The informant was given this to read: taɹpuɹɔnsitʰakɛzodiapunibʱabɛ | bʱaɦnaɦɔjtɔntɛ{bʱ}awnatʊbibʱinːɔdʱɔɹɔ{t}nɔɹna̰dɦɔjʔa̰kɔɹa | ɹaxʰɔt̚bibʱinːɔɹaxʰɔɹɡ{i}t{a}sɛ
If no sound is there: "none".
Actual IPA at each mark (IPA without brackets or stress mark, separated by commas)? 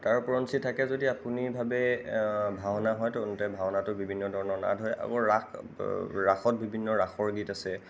bʱ, none, i, a